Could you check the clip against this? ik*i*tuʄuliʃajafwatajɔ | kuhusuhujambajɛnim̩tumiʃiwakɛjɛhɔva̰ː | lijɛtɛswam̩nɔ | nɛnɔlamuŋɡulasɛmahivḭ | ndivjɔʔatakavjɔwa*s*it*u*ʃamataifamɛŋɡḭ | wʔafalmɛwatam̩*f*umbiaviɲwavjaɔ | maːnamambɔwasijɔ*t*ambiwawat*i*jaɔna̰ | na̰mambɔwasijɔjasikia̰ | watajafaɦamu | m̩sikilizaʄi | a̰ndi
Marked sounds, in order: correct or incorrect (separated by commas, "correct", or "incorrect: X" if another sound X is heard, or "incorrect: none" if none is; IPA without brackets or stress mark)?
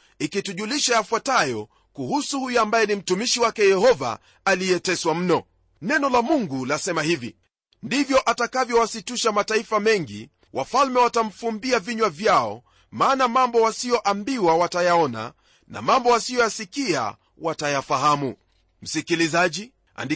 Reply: correct, correct, correct, correct, incorrect: ʔ, incorrect: a